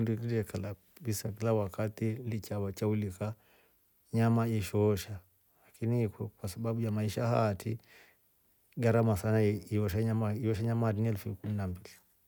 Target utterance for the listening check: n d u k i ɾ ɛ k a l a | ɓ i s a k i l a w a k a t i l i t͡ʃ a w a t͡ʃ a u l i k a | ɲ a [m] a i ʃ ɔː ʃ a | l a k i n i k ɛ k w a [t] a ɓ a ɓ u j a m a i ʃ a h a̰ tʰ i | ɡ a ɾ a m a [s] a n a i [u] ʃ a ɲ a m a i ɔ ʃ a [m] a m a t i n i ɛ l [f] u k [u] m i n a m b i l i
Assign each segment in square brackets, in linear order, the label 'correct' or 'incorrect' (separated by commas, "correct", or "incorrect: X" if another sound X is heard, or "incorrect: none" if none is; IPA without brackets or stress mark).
correct, incorrect: s, correct, incorrect: ɔ, incorrect: ɲ, correct, correct